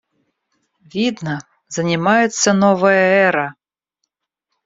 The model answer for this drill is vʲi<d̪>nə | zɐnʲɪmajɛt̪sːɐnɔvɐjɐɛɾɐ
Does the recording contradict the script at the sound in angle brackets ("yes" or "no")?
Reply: no